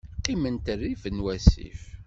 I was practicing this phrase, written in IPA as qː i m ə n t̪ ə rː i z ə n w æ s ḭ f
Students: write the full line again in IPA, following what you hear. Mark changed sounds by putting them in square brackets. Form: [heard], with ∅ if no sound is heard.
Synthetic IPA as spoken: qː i m ə n t̪ ə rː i [v] ə n w æ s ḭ f